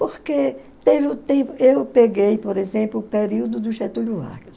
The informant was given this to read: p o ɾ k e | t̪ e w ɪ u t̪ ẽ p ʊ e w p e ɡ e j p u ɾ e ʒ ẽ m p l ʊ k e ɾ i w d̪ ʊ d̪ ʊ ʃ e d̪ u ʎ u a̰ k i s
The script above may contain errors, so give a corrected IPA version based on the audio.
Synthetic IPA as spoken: p o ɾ k e | t̪ e v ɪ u t̪ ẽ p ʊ e w p e ɡ e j p o ɾ e z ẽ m p l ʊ p e ɾ i w d̪ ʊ d̪ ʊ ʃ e t̪ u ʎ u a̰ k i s